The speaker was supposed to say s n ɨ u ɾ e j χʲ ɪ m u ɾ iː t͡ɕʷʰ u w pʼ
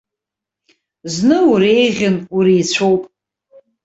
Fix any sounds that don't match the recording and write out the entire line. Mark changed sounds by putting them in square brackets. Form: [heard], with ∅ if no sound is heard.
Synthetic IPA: [z] n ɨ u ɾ e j [ʁʲ] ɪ [n] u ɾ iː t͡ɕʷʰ [o] w pʼ